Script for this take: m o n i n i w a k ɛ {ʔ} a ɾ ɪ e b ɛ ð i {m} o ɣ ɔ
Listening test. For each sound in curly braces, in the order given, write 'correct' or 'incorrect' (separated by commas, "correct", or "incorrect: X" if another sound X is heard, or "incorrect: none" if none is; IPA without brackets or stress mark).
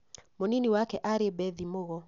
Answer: correct, correct